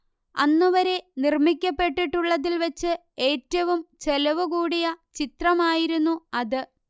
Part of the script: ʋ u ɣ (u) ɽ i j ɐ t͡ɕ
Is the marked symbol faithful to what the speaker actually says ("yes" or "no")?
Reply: no